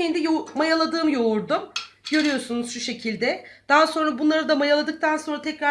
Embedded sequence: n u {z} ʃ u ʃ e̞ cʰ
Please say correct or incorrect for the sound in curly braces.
correct